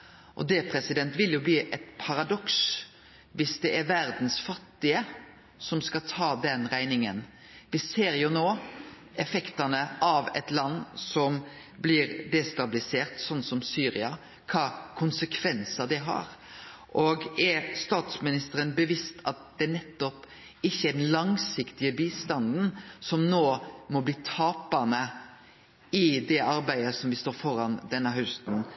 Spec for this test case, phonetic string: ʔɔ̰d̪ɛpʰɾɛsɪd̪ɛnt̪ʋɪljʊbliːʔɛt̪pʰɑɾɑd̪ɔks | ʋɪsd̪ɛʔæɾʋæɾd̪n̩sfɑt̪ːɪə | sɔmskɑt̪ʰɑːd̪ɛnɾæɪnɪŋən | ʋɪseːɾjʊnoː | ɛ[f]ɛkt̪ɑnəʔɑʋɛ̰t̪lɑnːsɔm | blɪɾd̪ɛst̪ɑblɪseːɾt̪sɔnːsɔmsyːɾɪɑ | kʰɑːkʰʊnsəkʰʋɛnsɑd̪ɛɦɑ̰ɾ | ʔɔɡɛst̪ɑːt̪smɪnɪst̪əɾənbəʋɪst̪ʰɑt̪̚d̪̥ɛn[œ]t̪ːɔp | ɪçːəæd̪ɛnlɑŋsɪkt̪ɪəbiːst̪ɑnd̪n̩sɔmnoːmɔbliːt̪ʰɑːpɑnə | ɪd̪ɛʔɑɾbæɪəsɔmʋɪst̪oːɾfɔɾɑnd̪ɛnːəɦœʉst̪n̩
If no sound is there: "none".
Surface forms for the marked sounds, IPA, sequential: f, ɛ

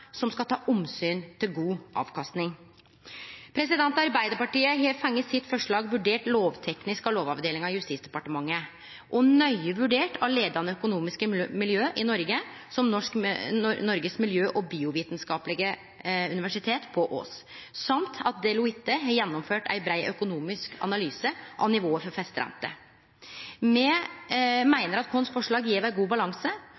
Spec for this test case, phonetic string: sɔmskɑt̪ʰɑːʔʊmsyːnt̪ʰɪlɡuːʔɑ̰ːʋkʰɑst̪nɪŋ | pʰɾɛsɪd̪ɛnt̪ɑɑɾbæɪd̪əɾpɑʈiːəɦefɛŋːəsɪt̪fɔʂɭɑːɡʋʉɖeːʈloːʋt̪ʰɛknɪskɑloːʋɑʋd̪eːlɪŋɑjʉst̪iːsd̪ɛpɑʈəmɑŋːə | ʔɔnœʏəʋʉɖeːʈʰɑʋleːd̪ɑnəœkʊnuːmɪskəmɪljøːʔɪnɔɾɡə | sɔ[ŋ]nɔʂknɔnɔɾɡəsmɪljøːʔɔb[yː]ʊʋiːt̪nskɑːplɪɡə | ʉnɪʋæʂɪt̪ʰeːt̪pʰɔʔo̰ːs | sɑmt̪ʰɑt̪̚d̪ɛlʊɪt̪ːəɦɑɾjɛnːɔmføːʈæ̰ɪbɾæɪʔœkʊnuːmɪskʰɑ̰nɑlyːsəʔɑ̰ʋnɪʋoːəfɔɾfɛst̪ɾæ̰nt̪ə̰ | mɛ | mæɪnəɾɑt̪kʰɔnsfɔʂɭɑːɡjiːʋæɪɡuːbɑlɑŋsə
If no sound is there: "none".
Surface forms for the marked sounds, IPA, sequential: m, iː

